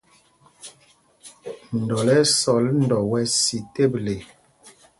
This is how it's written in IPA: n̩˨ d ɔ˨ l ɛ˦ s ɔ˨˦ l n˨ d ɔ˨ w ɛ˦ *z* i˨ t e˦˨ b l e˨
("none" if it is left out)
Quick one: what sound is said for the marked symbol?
s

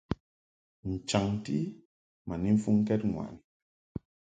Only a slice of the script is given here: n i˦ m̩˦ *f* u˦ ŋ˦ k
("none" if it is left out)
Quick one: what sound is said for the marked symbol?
f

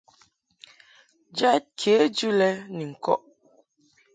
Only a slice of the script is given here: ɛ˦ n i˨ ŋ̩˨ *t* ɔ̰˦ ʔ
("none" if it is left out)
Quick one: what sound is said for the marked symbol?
k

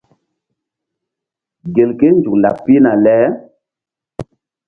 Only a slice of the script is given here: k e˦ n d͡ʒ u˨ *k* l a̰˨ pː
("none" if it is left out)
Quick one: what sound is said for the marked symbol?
k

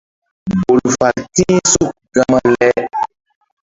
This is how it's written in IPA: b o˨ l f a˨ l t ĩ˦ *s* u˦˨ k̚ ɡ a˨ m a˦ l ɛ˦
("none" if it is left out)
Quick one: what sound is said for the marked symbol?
s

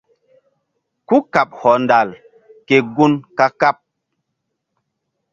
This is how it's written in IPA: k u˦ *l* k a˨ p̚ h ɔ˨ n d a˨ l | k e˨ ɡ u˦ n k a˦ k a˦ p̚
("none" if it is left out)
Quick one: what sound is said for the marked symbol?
none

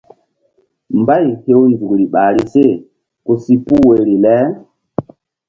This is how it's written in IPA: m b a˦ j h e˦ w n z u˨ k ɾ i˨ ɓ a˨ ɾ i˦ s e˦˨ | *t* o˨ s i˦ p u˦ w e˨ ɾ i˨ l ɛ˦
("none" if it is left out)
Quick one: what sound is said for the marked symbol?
k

